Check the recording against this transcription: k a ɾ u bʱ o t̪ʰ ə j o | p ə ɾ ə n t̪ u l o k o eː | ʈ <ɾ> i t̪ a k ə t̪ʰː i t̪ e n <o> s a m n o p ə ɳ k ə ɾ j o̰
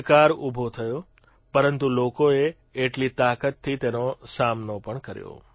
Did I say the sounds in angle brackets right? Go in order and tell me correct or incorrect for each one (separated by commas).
incorrect, correct